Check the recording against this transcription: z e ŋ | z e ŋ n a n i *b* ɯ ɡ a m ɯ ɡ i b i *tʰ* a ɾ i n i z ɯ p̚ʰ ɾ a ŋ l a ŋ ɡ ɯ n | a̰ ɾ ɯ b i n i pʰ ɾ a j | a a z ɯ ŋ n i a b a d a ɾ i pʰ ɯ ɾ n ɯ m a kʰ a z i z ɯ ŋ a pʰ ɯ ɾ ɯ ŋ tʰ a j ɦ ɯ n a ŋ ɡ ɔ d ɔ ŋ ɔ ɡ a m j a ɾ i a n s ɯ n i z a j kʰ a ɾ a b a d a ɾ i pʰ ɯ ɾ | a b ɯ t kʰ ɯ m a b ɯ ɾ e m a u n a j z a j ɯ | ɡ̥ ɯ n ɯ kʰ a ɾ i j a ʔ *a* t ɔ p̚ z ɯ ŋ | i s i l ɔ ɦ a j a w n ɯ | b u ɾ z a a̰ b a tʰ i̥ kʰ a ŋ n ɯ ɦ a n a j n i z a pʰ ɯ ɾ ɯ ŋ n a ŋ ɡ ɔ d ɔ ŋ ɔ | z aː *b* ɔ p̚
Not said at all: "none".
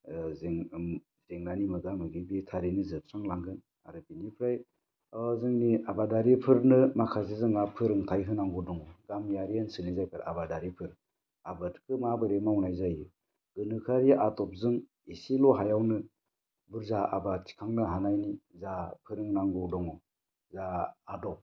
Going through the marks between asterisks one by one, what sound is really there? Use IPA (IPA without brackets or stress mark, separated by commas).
m, tʰ, a, d